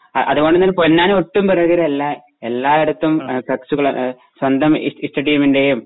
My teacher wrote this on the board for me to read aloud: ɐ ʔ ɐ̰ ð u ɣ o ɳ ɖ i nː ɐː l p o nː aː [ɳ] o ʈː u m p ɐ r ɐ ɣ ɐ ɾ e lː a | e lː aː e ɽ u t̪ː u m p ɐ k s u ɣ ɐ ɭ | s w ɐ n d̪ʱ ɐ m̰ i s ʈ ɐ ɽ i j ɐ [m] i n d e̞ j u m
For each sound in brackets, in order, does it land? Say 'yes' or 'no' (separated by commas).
no, yes